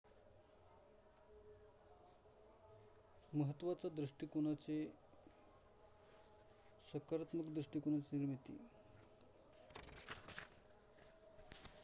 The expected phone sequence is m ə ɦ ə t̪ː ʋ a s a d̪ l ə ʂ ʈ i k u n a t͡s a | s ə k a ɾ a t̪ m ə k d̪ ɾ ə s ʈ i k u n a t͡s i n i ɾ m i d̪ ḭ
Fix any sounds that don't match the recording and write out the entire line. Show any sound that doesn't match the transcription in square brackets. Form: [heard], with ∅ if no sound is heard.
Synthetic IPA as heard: m ə ɦ ə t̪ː ʋ a [t͡s] a d̪ [ɾ] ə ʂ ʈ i k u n a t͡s [e] | s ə k a ɾ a t̪ m ə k d̪ ɾ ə [ʂ] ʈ i k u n a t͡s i n i ɾ m i [t̪] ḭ

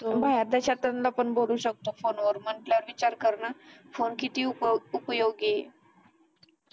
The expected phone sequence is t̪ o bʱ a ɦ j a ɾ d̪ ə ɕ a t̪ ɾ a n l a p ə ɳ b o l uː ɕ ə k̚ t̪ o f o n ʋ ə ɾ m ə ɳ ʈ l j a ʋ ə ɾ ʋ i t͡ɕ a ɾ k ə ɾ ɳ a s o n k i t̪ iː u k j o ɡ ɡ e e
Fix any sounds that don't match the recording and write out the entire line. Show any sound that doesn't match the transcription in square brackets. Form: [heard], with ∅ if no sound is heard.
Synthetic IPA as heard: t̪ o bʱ a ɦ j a ɾ d̪ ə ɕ a t̪ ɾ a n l a p ə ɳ b o l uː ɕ ə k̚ t̪ o f o n ʋ ə ɾ m ə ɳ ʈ l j a ʋ ə ɾ ʋ i t͡ɕ a ɾ k ə ɾ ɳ a [f] o n k i t̪ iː u [p] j o ɡ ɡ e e

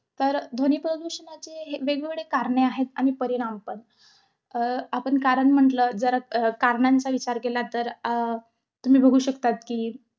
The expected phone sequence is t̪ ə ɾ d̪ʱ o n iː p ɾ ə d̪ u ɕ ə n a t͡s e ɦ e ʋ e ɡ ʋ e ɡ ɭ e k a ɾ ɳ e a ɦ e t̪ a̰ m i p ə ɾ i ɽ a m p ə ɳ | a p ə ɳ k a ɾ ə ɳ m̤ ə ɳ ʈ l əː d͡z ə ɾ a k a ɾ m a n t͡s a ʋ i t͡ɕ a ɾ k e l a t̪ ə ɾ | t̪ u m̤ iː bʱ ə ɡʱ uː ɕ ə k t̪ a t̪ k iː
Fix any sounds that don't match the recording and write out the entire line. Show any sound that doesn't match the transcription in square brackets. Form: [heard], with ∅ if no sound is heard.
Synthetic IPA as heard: t̪ ə ɾ d̪ʱ o n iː p ɾ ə d̪ u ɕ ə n a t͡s e ɦ e ʋ e ɡ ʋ e ɡ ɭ e k a ɾ ɳ e a ɦ e t̪ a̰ m i p ə ɾ i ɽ a m p ə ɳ | a p ə ɳ k a ɾ ə ɳ m̤ ə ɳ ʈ l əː d͡z ə ɾ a k a ɾ [ɳ] a n t͡s a ʋ i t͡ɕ a ɾ k e l a t̪ ə ɾ | t̪ u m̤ iː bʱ ə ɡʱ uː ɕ ə k t̪ a t̪ k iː

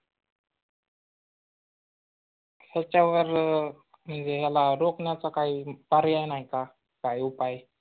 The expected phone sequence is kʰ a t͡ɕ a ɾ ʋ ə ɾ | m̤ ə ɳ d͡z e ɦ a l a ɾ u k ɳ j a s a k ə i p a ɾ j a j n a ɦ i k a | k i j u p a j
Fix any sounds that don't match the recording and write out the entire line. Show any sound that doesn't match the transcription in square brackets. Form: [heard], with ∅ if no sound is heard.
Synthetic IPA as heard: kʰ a t͡ɕ a [∅] ʋ ə ɾ | m̤ ə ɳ d͡z e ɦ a l a ɾ [o] k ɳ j a [t͡s] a k [a] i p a ɾ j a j n a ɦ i k a | k [a] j u p a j

